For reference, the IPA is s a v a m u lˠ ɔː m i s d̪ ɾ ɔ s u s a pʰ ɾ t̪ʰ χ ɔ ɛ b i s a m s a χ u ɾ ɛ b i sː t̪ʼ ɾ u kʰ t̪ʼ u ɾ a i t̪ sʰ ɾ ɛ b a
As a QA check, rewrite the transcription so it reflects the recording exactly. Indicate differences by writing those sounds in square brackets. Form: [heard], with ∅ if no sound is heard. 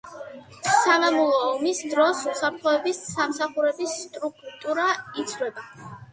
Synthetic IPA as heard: s a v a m u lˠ ɔː m i s d̪ ɾ ɔ s u s a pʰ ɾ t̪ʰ χ ɔ ɛ b i s a m s a χ u ɾ ɛ b i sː t̪ʼ ɾ u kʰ t̪ʼ u ɾ a i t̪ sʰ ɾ ɛ b a

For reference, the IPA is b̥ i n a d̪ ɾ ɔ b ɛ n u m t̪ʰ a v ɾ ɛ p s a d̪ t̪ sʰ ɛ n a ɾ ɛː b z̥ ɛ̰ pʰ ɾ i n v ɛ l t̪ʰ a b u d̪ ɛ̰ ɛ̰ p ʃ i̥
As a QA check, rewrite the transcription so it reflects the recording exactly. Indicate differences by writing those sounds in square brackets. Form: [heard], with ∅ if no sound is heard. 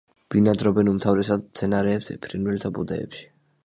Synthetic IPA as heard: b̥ i n a d̪ ɾ ɔ b ɛ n u m t̪ʰ a v ɾ ɛ [∅] s a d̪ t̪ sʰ ɛ n a ɾ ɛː b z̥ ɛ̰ pʰ ɾ i n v ɛ l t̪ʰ a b u d̪ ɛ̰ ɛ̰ p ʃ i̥

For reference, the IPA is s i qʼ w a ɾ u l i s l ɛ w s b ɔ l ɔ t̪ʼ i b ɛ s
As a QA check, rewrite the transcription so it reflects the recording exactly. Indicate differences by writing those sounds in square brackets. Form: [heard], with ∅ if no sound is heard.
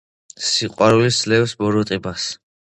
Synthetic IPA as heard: s i qʼ w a ɾ u l i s l ɛ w s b ɔ [ɾ] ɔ t̪ʼ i b [a] s

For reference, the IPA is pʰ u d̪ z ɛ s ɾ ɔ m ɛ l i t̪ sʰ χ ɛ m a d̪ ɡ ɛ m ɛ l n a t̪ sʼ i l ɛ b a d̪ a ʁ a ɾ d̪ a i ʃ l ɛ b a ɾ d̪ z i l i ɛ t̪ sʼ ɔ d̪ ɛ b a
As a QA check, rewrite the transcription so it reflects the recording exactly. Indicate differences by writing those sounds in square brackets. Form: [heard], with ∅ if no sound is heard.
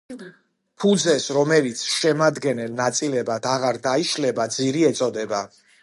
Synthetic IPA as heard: pʰ u d̪ z ɛ s ɾ ɔ m ɛ l i t̪ sʰ [ʃ] ɛ m a d̪ ɡ ɛ [n] ɛ l n a t̪ sʼ i l ɛ b a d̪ a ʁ a ɾ d̪ a i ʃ l ɛ b a [∅] d̪ z i [ɾ] i ɛ t̪ sʼ ɔ d̪ ɛ b a

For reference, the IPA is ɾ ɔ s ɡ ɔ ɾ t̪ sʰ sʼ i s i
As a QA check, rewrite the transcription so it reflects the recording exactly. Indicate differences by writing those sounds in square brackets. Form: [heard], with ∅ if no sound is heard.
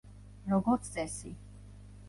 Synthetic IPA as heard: ɾ ɔ [∅] ɡ ɔ ɾ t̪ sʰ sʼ [ɛ] s i

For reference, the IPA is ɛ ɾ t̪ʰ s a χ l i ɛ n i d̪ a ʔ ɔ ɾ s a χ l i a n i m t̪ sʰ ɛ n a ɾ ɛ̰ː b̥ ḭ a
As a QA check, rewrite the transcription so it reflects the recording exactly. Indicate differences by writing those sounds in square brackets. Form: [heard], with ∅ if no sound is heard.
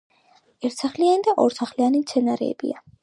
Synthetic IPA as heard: ɛ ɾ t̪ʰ s a χ l i [a] n i d̪ a ʔ ɔ ɾ s a χ l i a n i m t̪ sʰ ɛ n a ɾ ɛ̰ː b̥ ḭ a

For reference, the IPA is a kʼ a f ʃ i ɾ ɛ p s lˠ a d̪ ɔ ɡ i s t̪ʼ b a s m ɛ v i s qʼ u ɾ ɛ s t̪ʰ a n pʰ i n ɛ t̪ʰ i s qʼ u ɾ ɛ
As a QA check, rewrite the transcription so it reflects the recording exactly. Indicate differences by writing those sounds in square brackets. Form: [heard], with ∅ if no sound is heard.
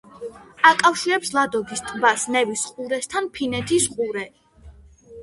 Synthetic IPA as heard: a kʼ a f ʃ i ɾ ɛ p s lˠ a d̪ ɔ ɡ i s t̪ʼ b a s [n] ɛ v i s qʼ u ɾ ɛ s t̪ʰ a n pʰ i n ɛ t̪ʰ i s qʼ u ɾ ɛ

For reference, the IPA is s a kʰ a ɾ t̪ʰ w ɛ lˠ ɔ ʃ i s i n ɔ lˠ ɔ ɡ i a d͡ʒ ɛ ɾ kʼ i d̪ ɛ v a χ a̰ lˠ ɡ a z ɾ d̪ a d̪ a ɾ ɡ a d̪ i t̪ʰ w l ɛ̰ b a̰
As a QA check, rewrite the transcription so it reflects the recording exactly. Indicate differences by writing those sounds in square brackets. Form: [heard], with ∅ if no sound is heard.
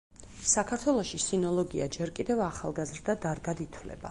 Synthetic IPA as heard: s a kʰ a ɾ t̪ʰ w ɛ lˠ ɔ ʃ i s i n ɔ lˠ ɔ ɡ i a d͡ʒ ɛ ɾ kʼ i d̪ ɛ v a χ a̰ lˠ ɡ a z ɾ d̪ a d̪ a ɾ ɡ a d̪ i t̪ʰ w l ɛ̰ b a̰

